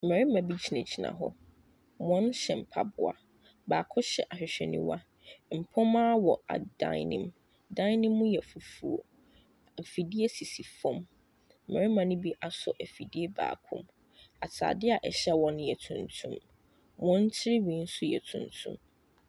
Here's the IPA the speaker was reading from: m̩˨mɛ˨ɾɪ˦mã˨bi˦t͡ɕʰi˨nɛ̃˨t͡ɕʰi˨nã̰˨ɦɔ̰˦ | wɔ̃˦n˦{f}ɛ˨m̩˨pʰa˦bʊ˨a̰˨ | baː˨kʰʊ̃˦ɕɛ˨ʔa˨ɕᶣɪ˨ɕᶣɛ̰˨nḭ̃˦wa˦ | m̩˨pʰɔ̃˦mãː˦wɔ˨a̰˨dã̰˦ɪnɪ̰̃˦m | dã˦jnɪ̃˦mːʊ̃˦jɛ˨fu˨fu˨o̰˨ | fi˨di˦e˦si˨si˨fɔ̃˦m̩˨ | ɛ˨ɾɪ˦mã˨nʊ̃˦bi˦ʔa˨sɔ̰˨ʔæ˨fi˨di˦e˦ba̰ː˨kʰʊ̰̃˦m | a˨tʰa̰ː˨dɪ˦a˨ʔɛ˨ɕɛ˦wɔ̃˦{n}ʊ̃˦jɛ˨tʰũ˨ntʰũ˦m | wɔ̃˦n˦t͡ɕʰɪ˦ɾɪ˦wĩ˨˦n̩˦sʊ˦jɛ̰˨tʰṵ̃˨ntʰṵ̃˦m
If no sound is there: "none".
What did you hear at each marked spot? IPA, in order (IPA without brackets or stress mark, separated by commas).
ɕ, n